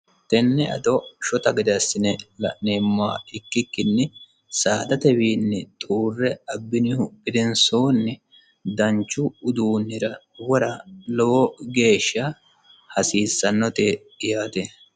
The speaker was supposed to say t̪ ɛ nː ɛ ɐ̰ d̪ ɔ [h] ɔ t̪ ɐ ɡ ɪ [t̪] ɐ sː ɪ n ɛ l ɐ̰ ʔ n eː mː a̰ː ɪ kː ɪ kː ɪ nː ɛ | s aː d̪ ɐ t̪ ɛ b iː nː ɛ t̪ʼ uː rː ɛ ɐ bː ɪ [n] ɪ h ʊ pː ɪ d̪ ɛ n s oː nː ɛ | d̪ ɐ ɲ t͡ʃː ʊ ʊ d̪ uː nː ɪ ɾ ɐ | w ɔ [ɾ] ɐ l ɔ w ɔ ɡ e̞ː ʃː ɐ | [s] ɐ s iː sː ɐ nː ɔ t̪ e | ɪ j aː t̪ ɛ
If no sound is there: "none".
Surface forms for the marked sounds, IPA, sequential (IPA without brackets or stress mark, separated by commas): ʃ, d̪, n, ɾ, h